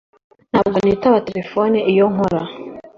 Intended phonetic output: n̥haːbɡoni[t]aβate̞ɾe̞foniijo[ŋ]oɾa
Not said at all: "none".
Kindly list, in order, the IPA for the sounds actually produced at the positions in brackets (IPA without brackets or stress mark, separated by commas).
t, ŋ